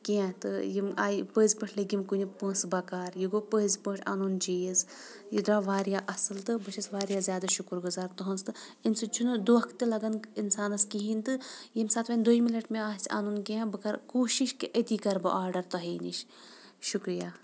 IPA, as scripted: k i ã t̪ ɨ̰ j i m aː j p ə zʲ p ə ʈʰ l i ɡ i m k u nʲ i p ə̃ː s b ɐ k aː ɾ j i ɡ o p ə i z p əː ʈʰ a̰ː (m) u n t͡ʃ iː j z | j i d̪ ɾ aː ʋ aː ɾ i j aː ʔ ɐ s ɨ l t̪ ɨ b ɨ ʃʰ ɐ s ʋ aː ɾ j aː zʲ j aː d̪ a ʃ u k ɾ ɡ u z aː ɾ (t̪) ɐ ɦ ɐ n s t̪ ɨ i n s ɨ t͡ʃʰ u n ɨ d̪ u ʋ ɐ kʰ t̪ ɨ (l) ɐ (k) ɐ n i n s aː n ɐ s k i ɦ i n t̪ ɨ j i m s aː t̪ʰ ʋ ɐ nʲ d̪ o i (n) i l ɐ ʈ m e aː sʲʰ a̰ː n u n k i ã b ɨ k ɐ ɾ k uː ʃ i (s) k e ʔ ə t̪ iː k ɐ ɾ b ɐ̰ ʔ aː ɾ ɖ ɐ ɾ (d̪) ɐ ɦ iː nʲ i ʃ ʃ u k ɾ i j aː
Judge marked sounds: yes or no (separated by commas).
no, yes, yes, no, no, no, no